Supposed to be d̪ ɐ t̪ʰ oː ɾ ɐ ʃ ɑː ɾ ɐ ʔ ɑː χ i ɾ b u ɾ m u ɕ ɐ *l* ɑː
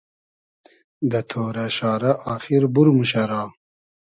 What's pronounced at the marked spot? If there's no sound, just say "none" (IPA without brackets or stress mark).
ɾ